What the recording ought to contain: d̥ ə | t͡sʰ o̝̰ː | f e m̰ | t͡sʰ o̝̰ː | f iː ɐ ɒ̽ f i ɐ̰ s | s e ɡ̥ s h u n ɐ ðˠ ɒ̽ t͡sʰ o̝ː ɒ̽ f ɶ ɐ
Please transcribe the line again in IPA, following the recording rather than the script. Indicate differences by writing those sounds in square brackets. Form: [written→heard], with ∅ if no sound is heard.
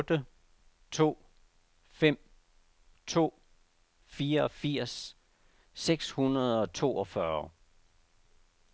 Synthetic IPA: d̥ ə | t͡sʰ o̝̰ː | f e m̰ | t͡sʰ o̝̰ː | f iː ɐ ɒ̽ f i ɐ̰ s | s e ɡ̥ s h u n ɐ ðˠ ɒ̽ t͡sʰ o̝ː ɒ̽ f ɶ ɐ